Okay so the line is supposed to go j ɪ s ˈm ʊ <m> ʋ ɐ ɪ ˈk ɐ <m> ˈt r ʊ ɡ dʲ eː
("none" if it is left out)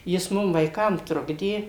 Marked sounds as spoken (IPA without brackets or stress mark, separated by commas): m, m